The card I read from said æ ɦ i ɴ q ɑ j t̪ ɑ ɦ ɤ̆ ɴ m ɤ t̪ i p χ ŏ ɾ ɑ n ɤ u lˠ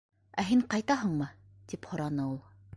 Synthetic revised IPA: æ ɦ i ɴ q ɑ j t̪ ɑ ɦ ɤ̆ ɴ m ɤ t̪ i p h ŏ ɾ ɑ n ɤ u lˠ